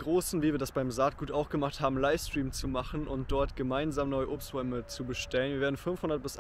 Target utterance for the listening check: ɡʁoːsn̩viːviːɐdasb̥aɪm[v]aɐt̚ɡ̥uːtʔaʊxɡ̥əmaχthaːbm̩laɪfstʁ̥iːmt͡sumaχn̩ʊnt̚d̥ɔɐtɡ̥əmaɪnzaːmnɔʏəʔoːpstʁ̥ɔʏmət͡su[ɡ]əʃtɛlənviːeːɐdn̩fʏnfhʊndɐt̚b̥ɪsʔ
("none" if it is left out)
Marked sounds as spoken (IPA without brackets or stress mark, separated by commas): z, b